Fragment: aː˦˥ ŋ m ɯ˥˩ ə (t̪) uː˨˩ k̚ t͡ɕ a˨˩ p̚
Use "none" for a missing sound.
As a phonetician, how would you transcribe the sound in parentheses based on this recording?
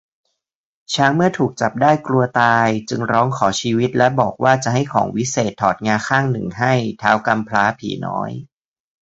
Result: t̪ʰ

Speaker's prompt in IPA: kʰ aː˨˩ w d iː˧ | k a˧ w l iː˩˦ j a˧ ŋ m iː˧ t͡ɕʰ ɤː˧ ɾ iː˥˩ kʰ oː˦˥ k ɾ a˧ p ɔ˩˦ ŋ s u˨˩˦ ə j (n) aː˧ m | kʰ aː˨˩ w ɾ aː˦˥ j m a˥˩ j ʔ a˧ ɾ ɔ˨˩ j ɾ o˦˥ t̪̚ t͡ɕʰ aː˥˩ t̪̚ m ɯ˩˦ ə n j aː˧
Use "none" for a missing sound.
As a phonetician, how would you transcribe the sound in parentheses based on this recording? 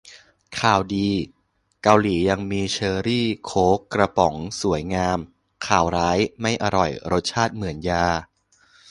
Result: ŋ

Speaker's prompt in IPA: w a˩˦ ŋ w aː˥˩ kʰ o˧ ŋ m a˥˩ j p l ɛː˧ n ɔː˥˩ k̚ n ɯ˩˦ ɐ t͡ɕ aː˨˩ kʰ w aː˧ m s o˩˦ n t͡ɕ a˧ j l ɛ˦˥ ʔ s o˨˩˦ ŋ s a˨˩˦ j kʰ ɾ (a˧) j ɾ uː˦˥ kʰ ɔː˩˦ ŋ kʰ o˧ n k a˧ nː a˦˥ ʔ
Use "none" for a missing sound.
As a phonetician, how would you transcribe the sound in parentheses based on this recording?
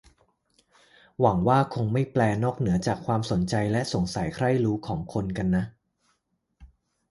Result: a˥˩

